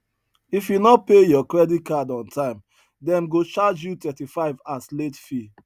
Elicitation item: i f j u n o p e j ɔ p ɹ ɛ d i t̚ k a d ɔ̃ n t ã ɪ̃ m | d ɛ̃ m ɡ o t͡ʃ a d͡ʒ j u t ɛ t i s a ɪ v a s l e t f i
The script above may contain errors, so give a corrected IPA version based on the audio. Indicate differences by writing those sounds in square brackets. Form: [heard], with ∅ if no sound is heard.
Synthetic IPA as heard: i f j u n [ɔ] p e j ɔ [k] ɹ ɛ d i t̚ k a d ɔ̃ n t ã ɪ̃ m | d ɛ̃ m ɡ o t͡ʃ a d͡ʒ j u t ɛ t i [f] a ɪ v a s l e t f i